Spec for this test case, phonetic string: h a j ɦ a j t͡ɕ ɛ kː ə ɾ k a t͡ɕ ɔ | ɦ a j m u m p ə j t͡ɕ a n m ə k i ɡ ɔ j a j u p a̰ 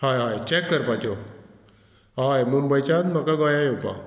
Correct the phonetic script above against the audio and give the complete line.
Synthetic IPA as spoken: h a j ɦ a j t͡ɕ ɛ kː ə ɾ p a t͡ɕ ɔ | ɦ a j m u m b ə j t͡ɕ a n m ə k a ɡ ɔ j a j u p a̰